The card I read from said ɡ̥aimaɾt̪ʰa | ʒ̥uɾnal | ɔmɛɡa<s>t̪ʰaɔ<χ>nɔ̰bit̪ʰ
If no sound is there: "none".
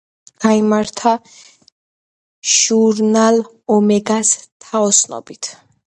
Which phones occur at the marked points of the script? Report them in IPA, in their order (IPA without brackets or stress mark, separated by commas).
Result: s, s